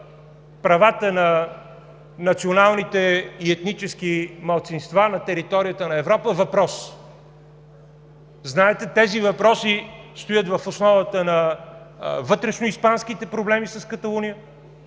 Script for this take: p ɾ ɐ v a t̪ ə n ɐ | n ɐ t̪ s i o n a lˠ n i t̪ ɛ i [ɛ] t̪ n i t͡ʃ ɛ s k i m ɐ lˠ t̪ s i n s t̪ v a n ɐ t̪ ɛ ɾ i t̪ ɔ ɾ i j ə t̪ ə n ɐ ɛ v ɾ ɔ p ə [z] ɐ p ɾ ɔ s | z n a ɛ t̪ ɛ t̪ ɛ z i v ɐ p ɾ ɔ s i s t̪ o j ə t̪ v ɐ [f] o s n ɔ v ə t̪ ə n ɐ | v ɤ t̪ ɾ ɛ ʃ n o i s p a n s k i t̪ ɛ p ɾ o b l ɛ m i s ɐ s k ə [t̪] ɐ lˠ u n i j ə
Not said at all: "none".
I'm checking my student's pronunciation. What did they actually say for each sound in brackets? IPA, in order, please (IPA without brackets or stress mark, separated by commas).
ɛ, v, f, t̪